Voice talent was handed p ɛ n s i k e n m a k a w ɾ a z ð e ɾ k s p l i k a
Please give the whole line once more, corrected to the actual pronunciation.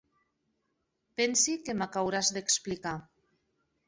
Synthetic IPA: p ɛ n s i k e m a k a w ɾ a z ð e k s p l i k a